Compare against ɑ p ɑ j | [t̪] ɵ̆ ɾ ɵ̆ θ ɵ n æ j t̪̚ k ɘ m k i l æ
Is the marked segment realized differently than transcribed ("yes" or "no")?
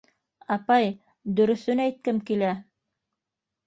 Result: yes